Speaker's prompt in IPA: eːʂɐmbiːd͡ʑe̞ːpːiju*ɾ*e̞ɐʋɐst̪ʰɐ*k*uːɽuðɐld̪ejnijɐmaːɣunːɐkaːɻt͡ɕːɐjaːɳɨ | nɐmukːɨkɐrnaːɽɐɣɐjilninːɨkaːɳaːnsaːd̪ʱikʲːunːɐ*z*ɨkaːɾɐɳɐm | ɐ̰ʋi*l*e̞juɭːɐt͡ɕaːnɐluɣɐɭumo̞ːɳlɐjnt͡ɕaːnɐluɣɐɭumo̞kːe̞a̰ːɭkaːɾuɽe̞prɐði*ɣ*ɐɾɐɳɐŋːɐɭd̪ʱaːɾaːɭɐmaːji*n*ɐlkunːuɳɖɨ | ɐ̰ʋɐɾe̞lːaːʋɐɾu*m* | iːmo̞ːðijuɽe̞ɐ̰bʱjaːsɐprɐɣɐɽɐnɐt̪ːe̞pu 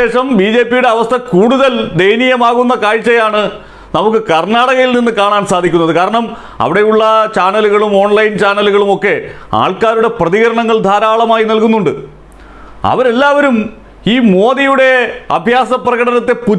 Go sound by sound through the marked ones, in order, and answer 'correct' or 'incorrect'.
incorrect: ɽ, correct, incorrect: ð, incorrect: ɽ, correct, correct, correct

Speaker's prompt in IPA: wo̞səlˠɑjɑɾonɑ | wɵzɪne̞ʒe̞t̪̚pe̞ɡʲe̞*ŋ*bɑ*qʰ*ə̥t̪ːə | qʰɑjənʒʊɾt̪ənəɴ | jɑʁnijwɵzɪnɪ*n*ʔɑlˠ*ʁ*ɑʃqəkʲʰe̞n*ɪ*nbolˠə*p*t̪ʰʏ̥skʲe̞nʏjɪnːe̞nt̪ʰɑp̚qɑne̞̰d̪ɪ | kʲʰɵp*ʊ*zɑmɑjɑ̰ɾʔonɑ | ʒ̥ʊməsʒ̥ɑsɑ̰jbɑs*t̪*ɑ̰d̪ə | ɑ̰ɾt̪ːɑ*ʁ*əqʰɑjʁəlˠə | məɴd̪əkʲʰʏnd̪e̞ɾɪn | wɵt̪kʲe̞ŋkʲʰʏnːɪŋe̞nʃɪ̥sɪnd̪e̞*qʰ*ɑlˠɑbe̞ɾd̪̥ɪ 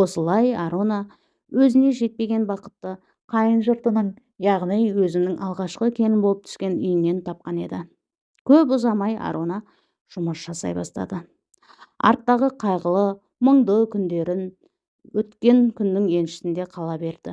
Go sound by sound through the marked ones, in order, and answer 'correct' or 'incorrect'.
incorrect: n, incorrect: q, incorrect: ŋ, correct, correct, correct, correct, correct, correct, correct

